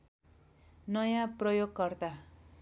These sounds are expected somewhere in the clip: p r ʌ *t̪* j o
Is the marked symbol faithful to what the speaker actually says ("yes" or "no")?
no